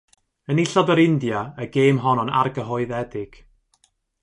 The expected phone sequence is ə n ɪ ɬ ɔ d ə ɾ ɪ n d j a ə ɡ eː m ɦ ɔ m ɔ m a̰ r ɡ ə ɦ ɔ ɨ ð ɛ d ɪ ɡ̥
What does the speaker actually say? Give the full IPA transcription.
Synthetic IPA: ə n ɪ ɬ ɔ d ə ɾ ɪ n d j a ə ɡ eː m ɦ ɔ n ɔ n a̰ r ɡ ə ɦ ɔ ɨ ð ɛ d ɪ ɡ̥